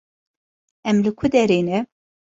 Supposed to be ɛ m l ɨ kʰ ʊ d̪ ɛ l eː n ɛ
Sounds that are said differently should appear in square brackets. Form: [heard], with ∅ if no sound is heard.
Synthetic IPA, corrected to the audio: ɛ m l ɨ kʰ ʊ d̪ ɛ [ɾ] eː n ɛ